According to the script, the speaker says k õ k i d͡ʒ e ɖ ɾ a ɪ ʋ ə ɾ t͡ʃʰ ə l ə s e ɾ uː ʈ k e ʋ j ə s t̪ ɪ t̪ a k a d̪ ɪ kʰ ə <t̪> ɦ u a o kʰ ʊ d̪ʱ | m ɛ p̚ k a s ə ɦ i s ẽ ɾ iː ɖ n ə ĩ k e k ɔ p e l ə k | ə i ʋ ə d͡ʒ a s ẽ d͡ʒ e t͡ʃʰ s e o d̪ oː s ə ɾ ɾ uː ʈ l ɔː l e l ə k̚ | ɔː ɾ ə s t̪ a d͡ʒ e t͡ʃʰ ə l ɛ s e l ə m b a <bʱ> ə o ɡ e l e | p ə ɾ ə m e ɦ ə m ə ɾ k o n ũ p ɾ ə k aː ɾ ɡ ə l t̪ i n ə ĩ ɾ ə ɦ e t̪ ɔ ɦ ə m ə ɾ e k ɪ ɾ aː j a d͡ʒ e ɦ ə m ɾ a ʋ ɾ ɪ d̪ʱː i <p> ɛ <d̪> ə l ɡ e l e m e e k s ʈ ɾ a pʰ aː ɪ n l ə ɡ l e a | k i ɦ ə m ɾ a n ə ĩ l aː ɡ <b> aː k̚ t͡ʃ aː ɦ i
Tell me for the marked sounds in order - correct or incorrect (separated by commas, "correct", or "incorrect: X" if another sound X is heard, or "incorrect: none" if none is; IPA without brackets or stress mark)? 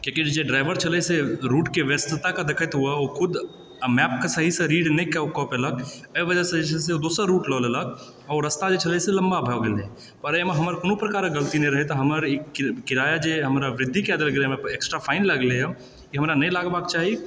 correct, correct, incorrect: k, correct, correct